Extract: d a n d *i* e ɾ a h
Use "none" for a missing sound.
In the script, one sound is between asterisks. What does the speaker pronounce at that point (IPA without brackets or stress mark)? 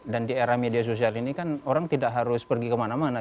i